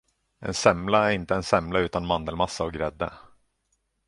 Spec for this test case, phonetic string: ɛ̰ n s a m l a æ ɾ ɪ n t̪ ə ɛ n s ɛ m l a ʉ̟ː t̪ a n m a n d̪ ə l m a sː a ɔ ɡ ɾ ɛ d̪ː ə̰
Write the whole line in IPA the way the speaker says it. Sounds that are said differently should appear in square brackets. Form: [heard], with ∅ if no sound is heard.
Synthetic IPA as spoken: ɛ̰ n s [ɛ] m l a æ ɾ ɪ n t̪ ə ɛ n s ɛ m l a ʉ̟ː t̪ a n m a n d̪ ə l m a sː a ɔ ɡ ɾ ɛ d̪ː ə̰